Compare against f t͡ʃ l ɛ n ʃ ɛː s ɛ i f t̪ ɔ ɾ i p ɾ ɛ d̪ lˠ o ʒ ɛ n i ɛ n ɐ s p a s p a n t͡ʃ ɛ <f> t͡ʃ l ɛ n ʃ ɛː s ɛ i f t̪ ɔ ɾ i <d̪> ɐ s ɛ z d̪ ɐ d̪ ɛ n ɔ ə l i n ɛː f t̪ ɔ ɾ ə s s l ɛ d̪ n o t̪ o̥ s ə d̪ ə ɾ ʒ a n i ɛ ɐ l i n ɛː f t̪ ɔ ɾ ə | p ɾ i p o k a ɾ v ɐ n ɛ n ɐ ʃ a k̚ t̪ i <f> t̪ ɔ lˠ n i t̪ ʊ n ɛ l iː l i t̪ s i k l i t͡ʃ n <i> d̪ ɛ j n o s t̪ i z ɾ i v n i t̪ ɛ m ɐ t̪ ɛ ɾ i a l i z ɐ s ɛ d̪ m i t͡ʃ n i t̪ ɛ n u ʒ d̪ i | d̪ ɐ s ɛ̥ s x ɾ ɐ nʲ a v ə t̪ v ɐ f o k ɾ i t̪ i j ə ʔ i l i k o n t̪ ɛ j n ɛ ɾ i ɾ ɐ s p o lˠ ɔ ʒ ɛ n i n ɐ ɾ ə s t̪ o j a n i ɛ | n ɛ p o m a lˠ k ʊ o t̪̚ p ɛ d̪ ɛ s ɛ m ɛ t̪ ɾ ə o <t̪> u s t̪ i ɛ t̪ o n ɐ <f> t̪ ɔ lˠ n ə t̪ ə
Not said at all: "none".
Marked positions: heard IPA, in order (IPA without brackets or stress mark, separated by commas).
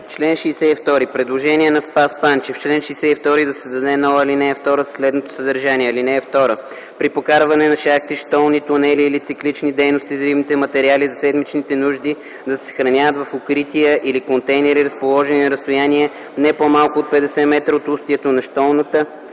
f, d̪, ʃ, i, t̪, ʃ